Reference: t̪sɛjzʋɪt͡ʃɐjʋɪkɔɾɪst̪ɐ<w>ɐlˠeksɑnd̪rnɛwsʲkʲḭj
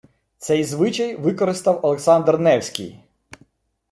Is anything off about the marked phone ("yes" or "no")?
no